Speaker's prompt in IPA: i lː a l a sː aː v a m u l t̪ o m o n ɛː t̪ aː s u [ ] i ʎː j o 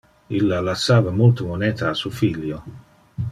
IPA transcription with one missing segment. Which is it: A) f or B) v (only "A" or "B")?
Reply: A